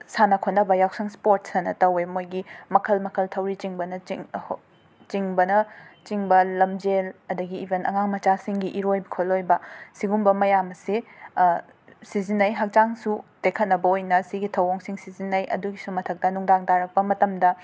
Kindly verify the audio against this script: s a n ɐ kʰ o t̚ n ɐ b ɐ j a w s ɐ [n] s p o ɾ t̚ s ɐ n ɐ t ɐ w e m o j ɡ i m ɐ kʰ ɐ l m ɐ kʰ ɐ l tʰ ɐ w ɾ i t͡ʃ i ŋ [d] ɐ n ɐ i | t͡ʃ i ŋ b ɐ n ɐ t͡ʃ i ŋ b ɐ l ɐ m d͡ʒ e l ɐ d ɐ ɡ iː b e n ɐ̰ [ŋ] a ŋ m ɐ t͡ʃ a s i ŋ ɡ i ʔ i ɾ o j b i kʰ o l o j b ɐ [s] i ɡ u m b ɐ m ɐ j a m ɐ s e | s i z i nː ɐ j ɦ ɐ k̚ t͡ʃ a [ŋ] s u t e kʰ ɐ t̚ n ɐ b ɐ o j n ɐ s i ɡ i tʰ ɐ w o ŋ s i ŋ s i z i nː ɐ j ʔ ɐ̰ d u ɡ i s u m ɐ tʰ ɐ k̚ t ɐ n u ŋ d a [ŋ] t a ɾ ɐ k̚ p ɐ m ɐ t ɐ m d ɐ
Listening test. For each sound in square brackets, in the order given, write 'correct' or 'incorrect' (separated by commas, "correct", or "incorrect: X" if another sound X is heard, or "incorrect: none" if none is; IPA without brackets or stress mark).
incorrect: ŋ, incorrect: b, correct, correct, correct, correct